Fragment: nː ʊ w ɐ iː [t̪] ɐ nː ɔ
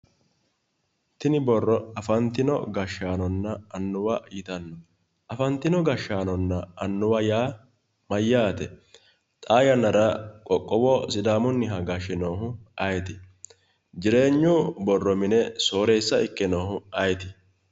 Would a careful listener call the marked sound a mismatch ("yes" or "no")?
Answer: no